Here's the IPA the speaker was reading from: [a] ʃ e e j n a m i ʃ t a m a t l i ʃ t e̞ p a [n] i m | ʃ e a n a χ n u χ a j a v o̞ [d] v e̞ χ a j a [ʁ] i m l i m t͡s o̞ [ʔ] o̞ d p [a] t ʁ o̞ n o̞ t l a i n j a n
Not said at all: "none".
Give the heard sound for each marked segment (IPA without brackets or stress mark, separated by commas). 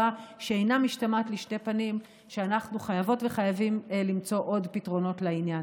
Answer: a, n, t, v, ʔ, i